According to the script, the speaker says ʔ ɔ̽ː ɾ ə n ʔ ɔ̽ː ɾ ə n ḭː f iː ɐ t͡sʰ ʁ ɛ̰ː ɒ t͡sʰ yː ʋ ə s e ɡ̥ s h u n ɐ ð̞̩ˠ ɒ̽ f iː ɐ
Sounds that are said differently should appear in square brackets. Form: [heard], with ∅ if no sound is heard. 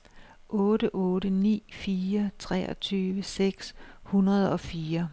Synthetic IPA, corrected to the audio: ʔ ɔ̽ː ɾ ə [∅] ʔ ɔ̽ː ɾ ə n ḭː f iː ɐ t͡sʰ ʁ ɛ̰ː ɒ t͡sʰ yː ʋ ə s e ɡ̥ s h u n ɐ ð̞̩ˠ ɒ̽ f iː ɐ